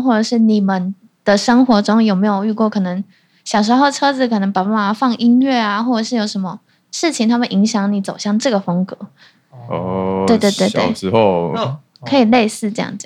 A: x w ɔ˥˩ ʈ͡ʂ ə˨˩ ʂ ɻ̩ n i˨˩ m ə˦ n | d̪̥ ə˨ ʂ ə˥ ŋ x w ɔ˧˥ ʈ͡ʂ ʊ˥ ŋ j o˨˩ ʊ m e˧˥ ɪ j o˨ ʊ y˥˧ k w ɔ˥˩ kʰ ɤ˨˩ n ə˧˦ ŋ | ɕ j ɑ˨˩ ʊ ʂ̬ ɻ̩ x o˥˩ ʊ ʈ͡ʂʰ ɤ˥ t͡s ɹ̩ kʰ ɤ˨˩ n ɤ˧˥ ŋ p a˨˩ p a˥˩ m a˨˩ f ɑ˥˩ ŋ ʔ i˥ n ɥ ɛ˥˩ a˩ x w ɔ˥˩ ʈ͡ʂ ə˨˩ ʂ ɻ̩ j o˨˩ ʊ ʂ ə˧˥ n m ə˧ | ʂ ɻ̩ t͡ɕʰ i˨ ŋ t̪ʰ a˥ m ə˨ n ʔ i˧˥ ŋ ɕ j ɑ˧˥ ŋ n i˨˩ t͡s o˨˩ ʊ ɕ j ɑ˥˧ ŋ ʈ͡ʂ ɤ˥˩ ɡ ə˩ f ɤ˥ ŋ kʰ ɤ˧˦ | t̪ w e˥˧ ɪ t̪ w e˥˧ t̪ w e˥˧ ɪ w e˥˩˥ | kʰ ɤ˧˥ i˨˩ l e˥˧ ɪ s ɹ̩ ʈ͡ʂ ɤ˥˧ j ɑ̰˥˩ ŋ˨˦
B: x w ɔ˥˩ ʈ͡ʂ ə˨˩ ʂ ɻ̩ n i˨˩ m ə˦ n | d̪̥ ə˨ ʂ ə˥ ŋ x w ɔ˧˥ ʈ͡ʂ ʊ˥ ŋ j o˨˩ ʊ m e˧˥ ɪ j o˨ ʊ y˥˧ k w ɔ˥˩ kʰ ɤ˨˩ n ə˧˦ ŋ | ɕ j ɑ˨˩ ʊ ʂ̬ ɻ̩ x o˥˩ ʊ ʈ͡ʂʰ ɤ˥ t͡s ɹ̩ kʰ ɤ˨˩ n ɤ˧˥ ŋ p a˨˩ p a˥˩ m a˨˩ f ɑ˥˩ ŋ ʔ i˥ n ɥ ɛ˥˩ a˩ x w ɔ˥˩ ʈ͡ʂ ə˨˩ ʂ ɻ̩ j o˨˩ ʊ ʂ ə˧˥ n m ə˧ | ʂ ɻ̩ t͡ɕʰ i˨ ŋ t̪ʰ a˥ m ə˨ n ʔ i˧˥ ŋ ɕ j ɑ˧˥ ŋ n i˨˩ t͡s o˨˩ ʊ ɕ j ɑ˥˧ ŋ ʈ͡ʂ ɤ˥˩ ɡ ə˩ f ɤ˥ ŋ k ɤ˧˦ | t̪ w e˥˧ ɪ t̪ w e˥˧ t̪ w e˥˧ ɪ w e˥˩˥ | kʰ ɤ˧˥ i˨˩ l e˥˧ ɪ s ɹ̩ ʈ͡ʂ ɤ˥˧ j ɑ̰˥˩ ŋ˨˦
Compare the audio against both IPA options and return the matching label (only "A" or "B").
B